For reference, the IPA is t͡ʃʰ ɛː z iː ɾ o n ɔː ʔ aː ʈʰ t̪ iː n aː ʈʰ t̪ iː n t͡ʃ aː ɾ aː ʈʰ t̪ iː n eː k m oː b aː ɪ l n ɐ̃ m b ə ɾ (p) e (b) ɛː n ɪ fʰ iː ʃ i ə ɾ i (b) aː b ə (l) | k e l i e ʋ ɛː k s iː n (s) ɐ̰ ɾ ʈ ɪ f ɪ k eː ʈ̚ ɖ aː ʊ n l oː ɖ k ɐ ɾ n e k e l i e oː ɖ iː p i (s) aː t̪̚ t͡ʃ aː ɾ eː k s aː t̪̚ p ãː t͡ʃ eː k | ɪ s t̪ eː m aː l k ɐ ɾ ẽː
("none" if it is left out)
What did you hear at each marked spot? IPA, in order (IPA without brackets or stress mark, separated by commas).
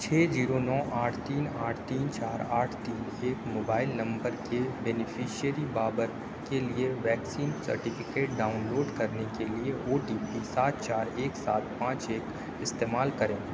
k, b, b, ɾ, s, s